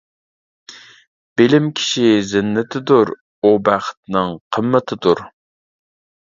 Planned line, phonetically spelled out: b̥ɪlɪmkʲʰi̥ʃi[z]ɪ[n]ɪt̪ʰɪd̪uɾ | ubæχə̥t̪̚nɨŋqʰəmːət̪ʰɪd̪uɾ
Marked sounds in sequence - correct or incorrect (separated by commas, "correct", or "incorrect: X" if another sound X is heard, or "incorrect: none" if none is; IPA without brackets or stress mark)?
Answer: correct, incorrect: nː